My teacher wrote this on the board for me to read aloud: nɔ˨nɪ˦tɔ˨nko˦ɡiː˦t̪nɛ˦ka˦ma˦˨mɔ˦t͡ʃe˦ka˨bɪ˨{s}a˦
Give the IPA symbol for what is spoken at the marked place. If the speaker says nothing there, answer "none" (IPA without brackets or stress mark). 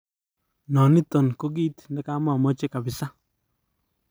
s